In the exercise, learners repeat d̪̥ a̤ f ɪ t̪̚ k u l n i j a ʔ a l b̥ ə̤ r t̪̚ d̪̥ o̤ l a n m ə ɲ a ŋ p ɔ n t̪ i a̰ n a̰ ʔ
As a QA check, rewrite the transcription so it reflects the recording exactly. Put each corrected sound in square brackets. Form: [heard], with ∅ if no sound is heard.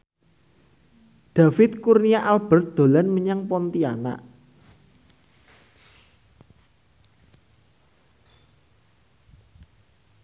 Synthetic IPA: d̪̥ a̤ f ɪ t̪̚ k u [r] n i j a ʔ a l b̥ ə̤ r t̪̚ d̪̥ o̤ l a n m ə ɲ a ŋ p ɔ n t̪ i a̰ n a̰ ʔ